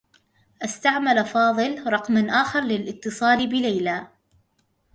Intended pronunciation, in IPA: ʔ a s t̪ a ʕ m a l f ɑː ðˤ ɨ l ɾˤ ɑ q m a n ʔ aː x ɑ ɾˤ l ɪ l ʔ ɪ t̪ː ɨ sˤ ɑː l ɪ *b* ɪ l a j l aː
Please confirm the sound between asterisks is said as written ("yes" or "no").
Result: yes